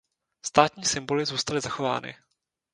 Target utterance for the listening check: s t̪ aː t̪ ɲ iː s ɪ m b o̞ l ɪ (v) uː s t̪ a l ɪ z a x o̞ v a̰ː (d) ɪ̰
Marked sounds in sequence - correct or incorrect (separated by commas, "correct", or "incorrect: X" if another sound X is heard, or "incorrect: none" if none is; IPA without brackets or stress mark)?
incorrect: z, incorrect: n